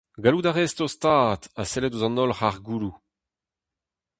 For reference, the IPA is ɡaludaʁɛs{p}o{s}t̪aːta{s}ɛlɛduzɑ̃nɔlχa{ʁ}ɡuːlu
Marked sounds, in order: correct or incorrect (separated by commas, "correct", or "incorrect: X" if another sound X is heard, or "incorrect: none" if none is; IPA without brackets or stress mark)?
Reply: incorrect: t, correct, correct, correct